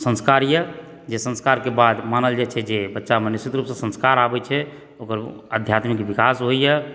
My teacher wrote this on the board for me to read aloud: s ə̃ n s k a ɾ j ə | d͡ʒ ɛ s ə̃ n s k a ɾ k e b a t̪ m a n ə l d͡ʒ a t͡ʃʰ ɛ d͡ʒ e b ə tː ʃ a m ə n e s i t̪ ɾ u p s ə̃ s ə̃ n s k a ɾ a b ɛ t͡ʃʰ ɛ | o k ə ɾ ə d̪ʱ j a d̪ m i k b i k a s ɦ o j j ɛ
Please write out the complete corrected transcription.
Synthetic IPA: s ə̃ n s k a ɾ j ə | d͡ʒ e s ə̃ n s k a ɾ k e b a d̪ m a n ə l d͡ʒ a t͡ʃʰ ɛ d͡ʒ e b ə tː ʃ a m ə n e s i t̪ ɾ u p s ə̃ s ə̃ n s k a ɾ a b ɛ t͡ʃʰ ɛ | o k ə ɾ ə d̪ʱ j a t̪ m i k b i k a s ɦ o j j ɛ

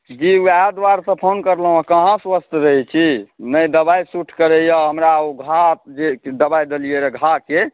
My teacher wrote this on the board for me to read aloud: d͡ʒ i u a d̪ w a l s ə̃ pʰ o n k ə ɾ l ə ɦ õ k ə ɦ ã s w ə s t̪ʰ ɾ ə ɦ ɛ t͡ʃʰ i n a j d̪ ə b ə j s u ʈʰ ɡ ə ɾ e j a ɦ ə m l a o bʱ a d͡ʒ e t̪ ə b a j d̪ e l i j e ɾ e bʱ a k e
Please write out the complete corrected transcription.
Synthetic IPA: d͡ʒ i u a d̪ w a ɾ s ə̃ pʰ o n k ə ɾ l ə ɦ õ k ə ɦ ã s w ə s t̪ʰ ɾ ə ɦ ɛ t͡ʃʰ i n ə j d̪ ə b a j s u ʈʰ k ə ɾ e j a ɦ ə m ɾ a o ɡʱ a d͡ʒ e d̪ ə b a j d̪ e l i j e ɾ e ɡʱ a k e

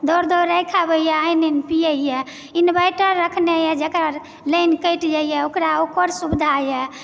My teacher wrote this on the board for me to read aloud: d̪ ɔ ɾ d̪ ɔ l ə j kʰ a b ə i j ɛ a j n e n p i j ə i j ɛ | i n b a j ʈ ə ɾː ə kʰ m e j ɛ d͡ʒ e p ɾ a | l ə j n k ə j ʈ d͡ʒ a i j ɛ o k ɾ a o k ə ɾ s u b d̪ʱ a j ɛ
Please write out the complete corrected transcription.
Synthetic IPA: d̪ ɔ ɾ d̪ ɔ ɾ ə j kʰ a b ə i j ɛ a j n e n p i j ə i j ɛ | i n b a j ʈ ə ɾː ə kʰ n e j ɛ d͡ʒ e k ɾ a | l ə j n k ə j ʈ d͡ʒ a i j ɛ o k ɾ a o k ə ɾ s u b d̪ʱ a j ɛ

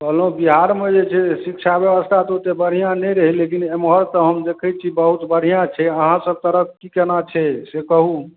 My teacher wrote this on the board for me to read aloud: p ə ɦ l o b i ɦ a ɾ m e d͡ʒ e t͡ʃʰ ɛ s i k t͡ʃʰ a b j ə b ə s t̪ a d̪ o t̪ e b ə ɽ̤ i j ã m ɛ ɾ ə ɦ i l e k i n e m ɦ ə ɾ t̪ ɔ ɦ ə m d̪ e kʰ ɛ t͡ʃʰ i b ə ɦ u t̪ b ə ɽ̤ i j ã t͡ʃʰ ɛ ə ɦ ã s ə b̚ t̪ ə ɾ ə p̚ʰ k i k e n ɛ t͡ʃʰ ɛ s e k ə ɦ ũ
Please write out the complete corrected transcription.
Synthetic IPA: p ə ɦ l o b i ɦ a ɾ m e d͡ʒ e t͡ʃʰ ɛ s i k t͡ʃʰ a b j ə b ə s t̪ʰ a t̪ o t̪ e b ə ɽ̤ i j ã n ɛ ɾ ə ɦ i l e k i n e m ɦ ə ɾ t̪ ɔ ɦ ə m d̪ e kʰ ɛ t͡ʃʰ i b ə ɦ u t̪ b ə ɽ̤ i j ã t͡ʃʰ ɛ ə ɦ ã s ə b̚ t̪ ə ɾ ə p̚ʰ k i k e n a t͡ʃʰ ɛ s e k ə ɦ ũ

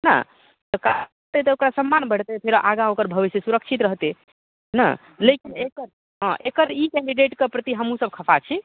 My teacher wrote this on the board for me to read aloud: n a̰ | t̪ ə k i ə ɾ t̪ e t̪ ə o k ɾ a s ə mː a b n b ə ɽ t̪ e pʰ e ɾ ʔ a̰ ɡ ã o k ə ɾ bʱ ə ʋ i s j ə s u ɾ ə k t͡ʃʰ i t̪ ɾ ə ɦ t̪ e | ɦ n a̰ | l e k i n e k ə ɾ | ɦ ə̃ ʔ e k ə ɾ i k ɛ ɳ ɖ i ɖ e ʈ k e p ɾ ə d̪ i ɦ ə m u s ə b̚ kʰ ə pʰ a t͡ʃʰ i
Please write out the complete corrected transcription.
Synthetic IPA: n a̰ | t̪ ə k a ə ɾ t̪ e t̪ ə o k ɾ a s ə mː a n b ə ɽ t̪ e pʰ e ɾ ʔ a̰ ɡ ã o k ə ɾ bʱ ə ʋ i s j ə s u ɾ ə k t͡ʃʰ i t̪ ɾ ə ɦ t̪ e | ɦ n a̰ | l e k i n e k ə ɾ | ɦ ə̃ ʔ e k ə ɾ i k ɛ ɳ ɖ i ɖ e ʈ k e p ɾ ə t̪ i ɦ ə m u s ə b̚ kʰ ə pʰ a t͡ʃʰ i

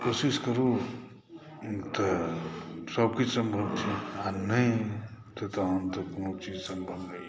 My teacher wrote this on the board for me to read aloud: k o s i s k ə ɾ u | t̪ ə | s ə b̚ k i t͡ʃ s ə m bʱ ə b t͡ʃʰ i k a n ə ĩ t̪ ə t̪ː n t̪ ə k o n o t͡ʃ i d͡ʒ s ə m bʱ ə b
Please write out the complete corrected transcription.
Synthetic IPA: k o s i s k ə ɾ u | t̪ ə | s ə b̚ k i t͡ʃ s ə m bʱ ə b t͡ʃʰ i a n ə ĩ t̪ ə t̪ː n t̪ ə k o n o t͡ʃ i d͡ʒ s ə m bʱ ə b

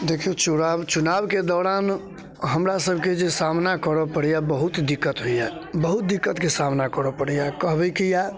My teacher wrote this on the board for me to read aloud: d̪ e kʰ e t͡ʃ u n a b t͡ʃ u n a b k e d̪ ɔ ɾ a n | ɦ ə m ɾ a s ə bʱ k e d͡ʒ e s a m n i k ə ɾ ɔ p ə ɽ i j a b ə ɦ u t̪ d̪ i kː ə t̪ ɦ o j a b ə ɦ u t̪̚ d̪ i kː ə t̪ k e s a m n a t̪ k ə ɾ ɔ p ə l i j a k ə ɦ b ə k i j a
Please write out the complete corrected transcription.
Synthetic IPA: d̪ e kʰ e t͡ʃ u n a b t͡ʃ u n a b k e d̪ ɔ ɾ a n | ɦ ə m ɾ a s ə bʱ k e d͡ʒ e s a m n a k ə ɾ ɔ p ə ɽ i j a b ə ɦ u t̪ d̪ i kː ə t̪ ɦ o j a b ə ɦ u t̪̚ d̪ i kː ə t̪ k e s a m n a k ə ɾ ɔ p ə ɽ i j a k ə ɦ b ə k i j a

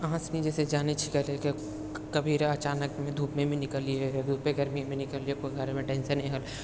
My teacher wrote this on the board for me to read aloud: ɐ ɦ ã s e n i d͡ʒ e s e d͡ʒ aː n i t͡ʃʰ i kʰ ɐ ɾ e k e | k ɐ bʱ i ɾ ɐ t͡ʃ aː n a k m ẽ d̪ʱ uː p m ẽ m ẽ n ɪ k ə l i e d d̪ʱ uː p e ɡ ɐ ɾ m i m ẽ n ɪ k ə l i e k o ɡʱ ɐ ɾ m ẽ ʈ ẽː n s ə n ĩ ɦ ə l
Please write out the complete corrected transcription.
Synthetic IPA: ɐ ɦ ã s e n i d͡ʒ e s e d͡ʒ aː n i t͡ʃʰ i k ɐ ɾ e k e | k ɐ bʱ i ɾ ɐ t͡ʃ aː n ə k m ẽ d̪ʱ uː p m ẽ m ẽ n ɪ k ə l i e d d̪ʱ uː p e ɡ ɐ ɾ m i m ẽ n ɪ k ə l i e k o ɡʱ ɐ ɾ m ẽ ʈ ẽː n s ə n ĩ ɦ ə l

